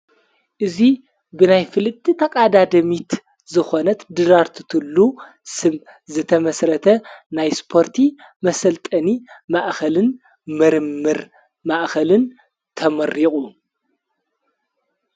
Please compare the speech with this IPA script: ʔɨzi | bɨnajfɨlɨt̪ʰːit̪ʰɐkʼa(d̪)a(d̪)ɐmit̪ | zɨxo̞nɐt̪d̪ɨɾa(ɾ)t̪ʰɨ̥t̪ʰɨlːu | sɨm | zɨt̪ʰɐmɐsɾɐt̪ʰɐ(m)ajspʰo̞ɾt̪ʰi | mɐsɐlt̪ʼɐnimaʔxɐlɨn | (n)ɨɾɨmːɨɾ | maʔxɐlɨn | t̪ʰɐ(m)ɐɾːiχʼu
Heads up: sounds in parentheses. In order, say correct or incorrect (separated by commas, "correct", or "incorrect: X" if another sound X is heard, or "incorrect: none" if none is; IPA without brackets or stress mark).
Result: correct, correct, correct, incorrect: n, incorrect: m, correct